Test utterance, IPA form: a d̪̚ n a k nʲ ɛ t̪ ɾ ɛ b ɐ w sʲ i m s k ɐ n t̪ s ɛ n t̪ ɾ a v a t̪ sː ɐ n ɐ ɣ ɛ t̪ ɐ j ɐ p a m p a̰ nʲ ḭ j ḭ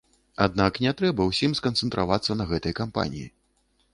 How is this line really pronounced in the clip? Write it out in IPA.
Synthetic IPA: a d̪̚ n a k nʲ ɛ t̪ ɾ ɛ b ɐ w sʲ i m s k ɐ n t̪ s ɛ n t̪ ɾ a v a t̪ sː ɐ n ɐ ɣ ɛ t̪ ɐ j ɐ k a m p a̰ nʲ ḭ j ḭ